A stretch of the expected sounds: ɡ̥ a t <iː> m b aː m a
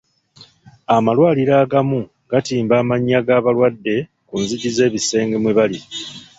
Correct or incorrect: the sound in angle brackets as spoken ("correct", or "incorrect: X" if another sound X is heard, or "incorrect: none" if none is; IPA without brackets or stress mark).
correct